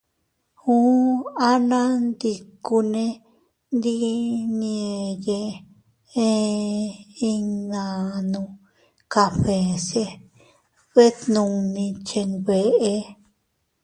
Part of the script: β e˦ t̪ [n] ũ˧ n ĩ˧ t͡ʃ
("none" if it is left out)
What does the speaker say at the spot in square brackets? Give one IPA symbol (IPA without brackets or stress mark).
n